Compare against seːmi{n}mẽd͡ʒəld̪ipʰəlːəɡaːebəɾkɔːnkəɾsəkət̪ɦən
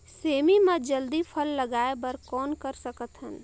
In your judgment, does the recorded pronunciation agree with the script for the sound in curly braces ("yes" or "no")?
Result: no